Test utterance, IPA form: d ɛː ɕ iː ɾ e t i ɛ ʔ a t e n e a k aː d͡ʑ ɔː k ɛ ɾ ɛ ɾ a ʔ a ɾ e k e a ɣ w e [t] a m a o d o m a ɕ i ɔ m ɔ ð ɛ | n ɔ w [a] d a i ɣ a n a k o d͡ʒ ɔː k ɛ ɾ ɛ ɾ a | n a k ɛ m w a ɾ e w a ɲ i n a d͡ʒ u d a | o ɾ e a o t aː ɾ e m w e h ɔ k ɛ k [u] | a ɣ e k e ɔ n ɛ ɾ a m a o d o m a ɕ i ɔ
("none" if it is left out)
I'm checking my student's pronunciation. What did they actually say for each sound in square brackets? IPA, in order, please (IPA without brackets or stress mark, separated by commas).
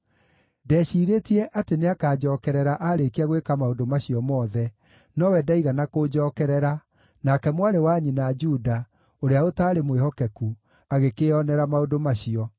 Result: k, ɛ, u